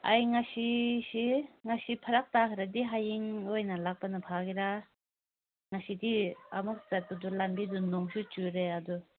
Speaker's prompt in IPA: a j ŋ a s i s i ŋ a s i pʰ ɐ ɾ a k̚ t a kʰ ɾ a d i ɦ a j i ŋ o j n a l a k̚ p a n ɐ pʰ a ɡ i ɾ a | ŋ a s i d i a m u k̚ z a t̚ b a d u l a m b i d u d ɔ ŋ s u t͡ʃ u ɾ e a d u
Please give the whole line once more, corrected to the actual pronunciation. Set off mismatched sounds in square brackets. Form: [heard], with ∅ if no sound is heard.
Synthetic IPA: a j ŋ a s i s i ŋ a s i pʰ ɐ ɾ a k̚ t a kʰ ɾ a d i ɦ a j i ŋ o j n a l a k̚ p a n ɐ pʰ a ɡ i ɾ a | ŋ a s i d i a m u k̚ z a t̚ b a d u l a m b i d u [n] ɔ ŋ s u t͡ʃ u ɾ e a d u

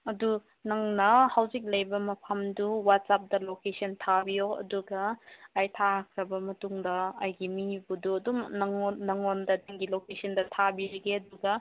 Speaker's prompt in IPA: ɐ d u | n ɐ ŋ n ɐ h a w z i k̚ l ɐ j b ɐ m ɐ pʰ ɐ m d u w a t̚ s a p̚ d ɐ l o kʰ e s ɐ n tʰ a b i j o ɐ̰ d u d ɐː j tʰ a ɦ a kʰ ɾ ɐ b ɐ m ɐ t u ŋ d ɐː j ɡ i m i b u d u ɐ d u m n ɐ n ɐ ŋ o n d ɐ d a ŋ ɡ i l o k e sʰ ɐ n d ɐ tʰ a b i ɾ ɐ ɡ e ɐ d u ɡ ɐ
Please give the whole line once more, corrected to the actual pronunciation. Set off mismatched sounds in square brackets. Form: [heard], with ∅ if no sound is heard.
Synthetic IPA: ɐ d u | n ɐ ŋ n ɐ h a w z i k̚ l ɐ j b ɐ m ɐ pʰ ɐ m d u w a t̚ s a p̚ d ɐ l o [k] e s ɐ n tʰ a b i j o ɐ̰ d u [ɡ] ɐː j tʰ a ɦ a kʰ ɾ ɐ b ɐ m ɐ t u ŋ d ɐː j ɡ i m i b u d u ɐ d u m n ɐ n ɐ ŋ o n d ɐ d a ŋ ɡ i l o k e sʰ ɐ n d ɐ tʰ a b i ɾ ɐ ɡ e ɐ d u ɡ ɐ

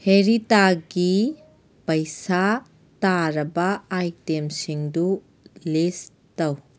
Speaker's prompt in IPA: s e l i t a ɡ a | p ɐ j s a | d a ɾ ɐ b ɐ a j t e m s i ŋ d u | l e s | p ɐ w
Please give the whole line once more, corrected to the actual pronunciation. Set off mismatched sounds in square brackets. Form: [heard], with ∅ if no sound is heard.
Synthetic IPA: [h] e [ɾ] i t a ɡ [i] | p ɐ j s a | [t] a ɾ ɐ b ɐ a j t e m s i ŋ d u | l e s | [t] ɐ w

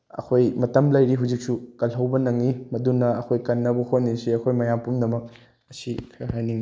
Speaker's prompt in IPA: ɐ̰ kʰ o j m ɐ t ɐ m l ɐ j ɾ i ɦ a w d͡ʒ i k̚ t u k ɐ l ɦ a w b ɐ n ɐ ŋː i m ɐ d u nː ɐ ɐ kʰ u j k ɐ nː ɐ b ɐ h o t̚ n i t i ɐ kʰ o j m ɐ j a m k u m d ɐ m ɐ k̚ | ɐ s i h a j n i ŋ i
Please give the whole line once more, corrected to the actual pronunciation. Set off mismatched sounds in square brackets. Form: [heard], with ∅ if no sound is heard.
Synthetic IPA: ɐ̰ kʰ o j m ɐ t ɐ m l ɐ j ɾ i ɦ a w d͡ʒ i k̚ [s] u k ɐ l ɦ [ɐ] w b ɐ n ɐ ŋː i m ɐ d u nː ɐ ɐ kʰ [o] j k ɐ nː ɐ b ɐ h o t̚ n i [s] i ɐ kʰ o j m ɐ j a m [p] u m d ɐ m ɐ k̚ | ɐ s i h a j n i ŋ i

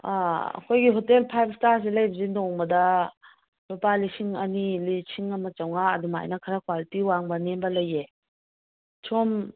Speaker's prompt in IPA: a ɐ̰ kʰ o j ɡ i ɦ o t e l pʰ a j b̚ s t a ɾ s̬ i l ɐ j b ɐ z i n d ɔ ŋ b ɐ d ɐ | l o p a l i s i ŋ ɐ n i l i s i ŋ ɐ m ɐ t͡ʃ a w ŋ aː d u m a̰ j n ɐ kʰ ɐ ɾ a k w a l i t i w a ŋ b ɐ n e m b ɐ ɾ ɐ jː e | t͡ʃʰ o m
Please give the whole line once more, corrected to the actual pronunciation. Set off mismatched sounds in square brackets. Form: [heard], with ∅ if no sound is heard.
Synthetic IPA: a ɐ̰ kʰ o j ɡ i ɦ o t e l pʰ a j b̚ s t a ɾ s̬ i l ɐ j b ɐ z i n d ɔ ŋ b ɐ d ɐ | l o p a l i s i ŋ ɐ n i l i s i ŋ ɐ m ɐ t͡ʃ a w ŋ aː d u m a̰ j n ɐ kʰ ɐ ɾ a k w a l i t i w a ŋ b ɐ n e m b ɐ [l] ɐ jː e | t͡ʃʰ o m

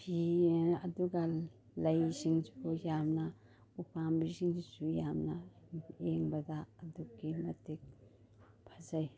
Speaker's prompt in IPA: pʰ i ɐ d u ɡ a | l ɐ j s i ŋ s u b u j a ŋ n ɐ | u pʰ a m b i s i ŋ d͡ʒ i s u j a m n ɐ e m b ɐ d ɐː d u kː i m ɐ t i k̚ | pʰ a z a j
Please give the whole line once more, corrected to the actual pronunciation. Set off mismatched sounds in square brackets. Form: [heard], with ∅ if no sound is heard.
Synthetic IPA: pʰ i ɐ d u ɡ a | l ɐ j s i ŋ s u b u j a [m] n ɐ | u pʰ a m b i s i ŋ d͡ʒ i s u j a m n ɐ e [ŋ] b ɐ d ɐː d u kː i m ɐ t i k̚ | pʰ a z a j

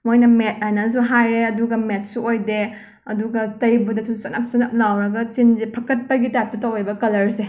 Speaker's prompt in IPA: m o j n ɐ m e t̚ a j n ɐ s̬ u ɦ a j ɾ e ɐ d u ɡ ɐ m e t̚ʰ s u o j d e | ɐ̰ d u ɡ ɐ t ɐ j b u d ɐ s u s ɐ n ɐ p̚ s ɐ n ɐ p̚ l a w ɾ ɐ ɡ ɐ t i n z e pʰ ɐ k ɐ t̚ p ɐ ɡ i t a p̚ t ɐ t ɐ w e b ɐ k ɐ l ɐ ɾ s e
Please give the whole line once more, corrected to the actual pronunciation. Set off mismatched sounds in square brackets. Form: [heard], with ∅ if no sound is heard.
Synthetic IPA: m o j n ɐ m e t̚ a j n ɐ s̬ u ɦ a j ɾ e ɐ d u ɡ ɐ m e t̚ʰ s u o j d e | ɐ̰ d u ɡ ɐ t ɐ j b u d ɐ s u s ɐ n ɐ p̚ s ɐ n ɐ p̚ l a w ɾ ɐ ɡ ɐ [t͡ʃ] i n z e pʰ ɐ k ɐ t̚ p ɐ ɡ i t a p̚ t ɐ t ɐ w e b ɐ k ɐ l ɐ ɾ s e

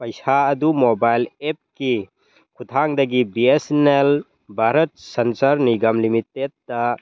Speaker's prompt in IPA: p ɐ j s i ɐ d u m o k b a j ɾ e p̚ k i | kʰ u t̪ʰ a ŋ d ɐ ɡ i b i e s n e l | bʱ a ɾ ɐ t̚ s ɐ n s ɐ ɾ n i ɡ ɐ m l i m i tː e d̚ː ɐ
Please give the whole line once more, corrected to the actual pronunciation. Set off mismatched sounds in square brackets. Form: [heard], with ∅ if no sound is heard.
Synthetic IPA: p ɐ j s [a] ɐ d u m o [∅] b a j [l] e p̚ k i | kʰ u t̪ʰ a ŋ d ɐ ɡ i b i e s n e l | bʱ a ɾ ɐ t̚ s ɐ n s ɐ ɾ n i ɡ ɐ m l i m i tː e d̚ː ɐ

